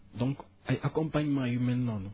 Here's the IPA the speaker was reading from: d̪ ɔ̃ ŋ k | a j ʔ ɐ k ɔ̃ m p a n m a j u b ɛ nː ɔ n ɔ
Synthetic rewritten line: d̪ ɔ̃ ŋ k | a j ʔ a k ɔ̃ m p a ɲ m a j u m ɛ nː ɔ n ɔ

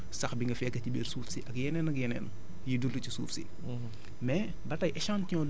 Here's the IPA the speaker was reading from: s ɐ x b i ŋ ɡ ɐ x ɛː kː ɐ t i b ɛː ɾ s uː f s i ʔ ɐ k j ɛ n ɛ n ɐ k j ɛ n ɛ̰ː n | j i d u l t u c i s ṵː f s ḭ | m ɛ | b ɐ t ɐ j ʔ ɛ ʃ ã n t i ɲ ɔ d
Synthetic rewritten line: s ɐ x b i ŋ ɡ ɐ f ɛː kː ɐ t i b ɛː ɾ s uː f s i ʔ ɐ k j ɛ n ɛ n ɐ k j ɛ n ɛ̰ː n | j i d u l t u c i s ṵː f s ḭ | m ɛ | b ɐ t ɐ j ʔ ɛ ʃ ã n t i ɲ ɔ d

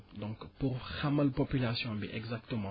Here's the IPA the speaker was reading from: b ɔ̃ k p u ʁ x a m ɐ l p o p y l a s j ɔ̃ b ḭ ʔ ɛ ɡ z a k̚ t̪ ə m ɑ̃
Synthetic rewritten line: d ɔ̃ k p u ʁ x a m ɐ l p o p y l a s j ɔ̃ b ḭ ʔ ɛ ɡ z a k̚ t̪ ə m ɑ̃

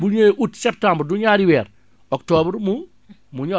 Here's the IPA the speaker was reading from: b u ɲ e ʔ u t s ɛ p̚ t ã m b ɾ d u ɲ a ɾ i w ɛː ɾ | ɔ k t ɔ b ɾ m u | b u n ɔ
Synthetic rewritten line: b u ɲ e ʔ u t s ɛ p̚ t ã m b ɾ d u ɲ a ɾ i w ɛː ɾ | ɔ k t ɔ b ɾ m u | m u ɲ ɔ

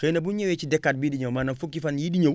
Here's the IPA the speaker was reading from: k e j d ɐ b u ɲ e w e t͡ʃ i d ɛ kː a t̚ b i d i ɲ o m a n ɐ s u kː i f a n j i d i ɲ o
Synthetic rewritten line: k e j n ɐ b u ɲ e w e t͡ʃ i d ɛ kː a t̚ b i d i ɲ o m a n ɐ f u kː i f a n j i d i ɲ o

